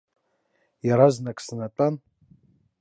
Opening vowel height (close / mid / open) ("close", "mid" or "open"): open